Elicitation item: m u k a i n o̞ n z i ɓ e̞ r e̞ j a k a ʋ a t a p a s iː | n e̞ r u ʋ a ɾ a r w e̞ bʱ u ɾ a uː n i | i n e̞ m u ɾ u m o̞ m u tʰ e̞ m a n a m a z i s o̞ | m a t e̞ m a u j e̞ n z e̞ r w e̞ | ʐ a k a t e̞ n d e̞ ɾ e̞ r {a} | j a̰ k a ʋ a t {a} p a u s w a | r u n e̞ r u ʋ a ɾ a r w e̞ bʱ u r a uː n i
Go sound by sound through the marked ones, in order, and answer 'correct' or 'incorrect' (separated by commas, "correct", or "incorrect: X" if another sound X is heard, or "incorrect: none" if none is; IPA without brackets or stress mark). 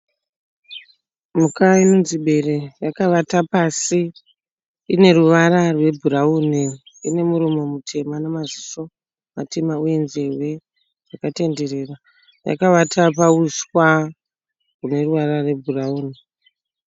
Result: correct, correct